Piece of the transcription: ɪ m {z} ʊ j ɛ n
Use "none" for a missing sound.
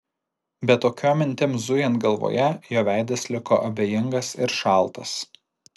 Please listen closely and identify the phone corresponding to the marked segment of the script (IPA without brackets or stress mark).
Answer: z